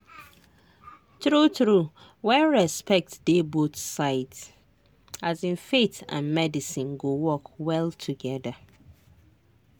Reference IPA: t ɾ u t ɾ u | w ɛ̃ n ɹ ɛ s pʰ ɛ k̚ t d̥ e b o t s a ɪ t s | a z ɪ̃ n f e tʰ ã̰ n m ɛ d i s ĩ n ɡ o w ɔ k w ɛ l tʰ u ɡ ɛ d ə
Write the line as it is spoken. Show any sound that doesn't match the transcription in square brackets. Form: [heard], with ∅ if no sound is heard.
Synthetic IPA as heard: t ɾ u t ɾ u | w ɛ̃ n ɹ ɛ s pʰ ɛ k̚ t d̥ e b o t s a ɪ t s | a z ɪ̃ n f e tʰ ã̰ n m ɛ d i s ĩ n ɡ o w ɔ k w ɛ l tʰ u ɡ ɛ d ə